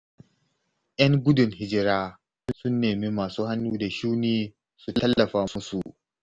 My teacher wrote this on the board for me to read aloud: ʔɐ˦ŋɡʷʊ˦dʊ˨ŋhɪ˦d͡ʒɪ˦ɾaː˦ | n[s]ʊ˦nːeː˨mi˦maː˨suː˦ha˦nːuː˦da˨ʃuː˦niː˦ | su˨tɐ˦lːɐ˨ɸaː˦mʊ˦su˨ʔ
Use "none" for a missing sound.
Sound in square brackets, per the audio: s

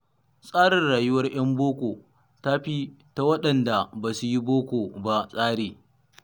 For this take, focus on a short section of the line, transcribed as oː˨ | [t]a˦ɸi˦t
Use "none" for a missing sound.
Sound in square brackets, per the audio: t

